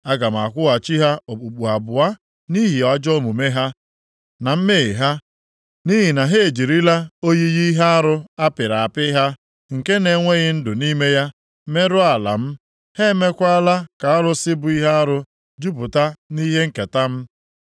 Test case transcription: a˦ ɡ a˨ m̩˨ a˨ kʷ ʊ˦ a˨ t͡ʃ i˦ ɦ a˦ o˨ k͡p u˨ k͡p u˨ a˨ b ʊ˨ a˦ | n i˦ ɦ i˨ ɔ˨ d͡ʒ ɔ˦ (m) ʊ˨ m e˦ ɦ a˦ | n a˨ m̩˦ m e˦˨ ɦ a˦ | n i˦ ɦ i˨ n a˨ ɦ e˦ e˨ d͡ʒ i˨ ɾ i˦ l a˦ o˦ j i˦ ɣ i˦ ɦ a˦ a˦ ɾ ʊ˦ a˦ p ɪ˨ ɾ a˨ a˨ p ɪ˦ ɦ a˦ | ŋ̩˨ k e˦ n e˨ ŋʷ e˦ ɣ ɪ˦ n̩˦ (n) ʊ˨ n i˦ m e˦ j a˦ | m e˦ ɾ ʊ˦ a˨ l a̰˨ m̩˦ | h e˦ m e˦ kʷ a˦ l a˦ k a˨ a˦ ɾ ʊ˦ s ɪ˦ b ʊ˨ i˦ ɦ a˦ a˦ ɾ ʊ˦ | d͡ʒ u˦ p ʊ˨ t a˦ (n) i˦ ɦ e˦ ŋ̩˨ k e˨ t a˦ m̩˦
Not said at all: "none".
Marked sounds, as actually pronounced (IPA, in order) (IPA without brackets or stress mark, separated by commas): m, d, n